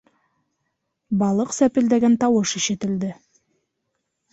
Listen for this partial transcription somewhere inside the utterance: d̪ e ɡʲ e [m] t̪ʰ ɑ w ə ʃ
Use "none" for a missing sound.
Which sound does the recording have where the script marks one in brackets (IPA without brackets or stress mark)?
n